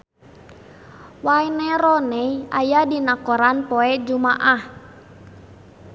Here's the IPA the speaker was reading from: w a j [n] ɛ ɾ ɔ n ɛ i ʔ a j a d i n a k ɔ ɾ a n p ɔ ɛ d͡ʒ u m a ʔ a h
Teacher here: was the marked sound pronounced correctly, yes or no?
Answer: yes